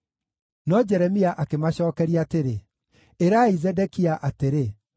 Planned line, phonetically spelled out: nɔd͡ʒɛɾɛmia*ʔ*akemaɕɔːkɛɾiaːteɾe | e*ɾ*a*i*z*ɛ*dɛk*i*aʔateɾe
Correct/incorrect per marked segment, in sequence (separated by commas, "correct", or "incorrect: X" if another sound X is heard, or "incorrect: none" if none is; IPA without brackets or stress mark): correct, correct, correct, correct, correct